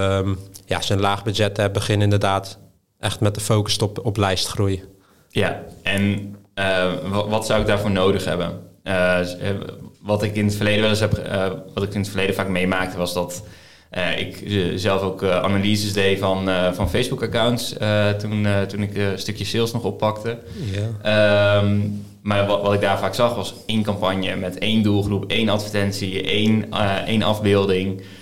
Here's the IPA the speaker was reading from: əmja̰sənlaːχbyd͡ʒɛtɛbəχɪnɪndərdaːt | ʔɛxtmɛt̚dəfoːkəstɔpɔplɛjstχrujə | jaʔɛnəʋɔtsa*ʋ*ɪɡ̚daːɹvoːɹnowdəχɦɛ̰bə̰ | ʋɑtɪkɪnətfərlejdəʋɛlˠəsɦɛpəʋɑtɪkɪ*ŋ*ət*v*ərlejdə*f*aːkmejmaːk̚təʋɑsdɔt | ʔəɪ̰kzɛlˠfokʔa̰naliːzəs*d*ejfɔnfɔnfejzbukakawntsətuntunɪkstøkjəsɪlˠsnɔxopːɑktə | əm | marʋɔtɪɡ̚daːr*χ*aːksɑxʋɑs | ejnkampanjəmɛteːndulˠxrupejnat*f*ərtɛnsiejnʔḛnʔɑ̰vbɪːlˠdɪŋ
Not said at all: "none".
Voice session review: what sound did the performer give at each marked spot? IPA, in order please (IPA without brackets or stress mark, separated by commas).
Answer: w, n, f, f, d, f, f